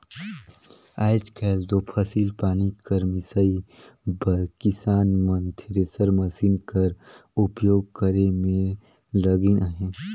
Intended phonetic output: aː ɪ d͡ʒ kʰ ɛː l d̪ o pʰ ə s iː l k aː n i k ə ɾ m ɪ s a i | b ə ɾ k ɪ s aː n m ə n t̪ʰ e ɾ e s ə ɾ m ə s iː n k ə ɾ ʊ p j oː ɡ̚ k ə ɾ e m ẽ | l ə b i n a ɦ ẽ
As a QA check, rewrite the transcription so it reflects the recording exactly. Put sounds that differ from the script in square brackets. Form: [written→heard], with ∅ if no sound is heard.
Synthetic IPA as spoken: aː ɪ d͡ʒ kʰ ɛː l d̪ o pʰ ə s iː l [k→p] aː n i k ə ɾ m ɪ s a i | b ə ɾ k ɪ s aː n m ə n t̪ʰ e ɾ e s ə ɾ m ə s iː n k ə ɾ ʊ p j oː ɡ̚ k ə ɾ e m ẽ | l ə [b→ɡ] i n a ɦ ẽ